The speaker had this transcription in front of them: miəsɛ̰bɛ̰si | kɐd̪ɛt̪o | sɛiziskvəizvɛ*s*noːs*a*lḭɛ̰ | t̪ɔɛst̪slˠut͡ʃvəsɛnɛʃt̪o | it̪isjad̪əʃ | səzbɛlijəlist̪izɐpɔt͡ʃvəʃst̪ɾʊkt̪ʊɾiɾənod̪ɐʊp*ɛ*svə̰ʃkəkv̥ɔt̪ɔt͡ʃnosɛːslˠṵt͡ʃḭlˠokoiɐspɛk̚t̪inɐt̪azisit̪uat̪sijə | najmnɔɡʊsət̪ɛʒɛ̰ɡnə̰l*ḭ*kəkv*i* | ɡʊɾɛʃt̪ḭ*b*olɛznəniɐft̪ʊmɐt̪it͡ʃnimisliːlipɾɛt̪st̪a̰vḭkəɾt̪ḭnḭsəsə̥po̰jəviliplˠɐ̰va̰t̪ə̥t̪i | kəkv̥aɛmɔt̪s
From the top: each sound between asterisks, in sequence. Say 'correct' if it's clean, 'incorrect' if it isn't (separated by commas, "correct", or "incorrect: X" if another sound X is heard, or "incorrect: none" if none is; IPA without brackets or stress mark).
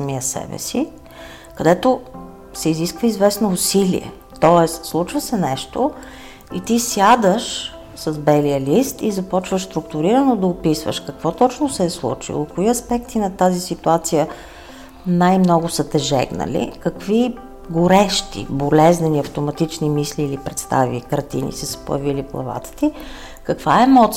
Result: correct, incorrect: i, incorrect: i, correct, correct, correct